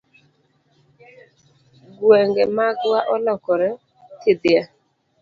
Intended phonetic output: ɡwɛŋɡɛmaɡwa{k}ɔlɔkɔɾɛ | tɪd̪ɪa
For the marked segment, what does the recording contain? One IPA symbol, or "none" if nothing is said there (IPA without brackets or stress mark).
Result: ʔ